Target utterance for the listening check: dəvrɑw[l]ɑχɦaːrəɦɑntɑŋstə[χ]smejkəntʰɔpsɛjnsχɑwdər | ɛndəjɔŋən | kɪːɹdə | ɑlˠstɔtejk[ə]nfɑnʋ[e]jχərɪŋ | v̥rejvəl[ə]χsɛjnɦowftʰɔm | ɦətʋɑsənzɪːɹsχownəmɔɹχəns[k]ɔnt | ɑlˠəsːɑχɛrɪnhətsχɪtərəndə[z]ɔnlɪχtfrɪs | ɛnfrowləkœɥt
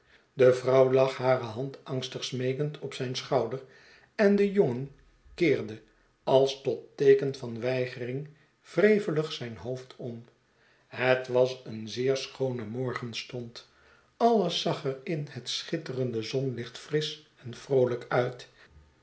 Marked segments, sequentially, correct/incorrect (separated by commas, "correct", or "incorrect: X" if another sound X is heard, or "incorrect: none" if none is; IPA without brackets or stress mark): correct, correct, correct, incorrect: ɛ, correct, incorrect: t, correct